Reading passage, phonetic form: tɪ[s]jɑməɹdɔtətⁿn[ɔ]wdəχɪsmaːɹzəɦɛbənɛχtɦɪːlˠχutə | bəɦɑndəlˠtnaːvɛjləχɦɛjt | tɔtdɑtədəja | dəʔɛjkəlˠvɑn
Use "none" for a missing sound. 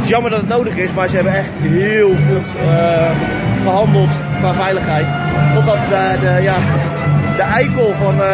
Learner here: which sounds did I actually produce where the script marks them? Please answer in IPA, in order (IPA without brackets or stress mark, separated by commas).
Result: s, o